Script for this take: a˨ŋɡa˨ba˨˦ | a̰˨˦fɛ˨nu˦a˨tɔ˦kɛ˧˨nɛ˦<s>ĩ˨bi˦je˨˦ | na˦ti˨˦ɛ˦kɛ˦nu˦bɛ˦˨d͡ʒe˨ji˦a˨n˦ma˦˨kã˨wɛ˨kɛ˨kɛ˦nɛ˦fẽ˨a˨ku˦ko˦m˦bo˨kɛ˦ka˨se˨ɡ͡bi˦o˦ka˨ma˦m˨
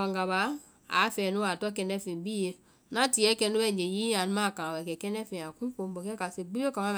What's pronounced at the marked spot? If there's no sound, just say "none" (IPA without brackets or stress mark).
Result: f